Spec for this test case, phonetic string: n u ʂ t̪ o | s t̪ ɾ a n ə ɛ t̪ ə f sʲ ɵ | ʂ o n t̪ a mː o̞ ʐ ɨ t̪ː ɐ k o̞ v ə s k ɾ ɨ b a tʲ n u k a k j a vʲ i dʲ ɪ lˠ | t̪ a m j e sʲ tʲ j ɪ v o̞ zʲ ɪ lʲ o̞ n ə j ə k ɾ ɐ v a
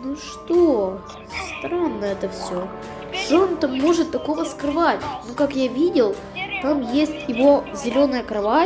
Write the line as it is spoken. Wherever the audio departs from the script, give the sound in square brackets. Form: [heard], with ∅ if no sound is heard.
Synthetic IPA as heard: n u ʂ t̪ o | s t̪ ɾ a [nː] ə ɛ t̪ ə f sʲ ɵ | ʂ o n t̪ a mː o̞ ʐ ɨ t̪ː ɐ k o̞ v ə s k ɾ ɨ [v] a tʲ n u k a k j a vʲ i dʲ ɪ lˠ | t̪ a m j e sʲ tʲ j ɪ v o̞ zʲ ɪ lʲ o̞ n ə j ə k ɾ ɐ v a